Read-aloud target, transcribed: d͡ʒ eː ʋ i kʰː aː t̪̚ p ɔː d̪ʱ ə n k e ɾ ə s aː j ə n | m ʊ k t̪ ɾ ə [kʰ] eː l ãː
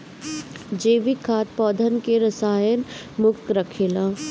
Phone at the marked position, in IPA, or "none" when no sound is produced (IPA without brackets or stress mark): kʰ